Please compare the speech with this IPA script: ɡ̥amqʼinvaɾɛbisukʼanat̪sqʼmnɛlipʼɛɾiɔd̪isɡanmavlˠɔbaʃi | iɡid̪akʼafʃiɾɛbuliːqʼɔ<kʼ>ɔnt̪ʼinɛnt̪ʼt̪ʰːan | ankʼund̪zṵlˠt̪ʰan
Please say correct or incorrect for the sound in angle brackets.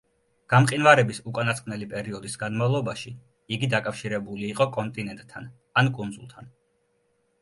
correct